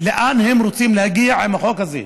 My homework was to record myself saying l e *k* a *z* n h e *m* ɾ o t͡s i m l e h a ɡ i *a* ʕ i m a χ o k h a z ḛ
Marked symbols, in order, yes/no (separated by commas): no, no, yes, yes